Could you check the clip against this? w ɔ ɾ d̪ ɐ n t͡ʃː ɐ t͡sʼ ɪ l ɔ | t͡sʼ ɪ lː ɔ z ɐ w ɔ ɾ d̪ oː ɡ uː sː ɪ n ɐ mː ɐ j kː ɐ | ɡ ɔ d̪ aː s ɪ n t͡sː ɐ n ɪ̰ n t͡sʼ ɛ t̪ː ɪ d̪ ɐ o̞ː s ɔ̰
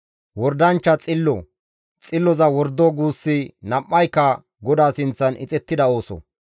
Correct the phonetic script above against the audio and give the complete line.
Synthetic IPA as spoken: w ɔ ɾ d̪ ɐ n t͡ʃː ɐ t͡sʼ ɪ lː ɔ | t͡sʼ ɪ lː ɔ z ɐ w ɔ ɾ d̪ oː ɡ uː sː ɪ n ɐ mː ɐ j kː ɐ | ɡ ɔ d̪ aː s ɪ n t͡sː ɐ n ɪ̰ t͡sʼ ɛ t̪ː ɪ d̪ ɐ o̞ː s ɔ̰